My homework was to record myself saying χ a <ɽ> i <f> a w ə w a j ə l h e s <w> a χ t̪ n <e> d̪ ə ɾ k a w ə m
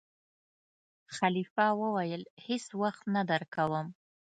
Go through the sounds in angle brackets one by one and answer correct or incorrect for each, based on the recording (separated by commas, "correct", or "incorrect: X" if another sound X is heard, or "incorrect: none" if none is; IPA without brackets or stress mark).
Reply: incorrect: l, correct, correct, incorrect: a